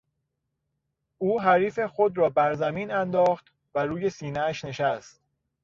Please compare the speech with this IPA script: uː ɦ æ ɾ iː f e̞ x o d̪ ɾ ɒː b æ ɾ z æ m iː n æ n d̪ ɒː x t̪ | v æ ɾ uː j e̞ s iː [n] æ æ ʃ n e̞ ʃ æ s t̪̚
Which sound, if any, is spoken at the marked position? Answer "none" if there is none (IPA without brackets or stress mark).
n